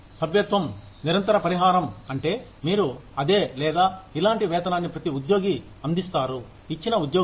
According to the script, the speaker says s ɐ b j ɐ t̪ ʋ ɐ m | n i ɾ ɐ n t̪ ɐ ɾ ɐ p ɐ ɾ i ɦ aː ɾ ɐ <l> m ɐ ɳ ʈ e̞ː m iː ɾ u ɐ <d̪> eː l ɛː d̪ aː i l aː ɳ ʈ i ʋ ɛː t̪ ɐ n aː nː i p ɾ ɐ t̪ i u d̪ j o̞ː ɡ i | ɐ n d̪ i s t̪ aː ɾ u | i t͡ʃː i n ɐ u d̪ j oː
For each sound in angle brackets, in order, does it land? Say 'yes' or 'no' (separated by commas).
no, yes